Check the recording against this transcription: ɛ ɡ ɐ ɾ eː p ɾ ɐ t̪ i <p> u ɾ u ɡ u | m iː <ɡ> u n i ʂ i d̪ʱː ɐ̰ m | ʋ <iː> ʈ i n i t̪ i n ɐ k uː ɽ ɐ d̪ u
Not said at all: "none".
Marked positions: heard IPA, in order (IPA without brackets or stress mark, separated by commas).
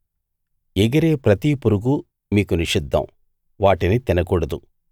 p, k, aː